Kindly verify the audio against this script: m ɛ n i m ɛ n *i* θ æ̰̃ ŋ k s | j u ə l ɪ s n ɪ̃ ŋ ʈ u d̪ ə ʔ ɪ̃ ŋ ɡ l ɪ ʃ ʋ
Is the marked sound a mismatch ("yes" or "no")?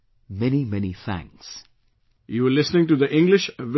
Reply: no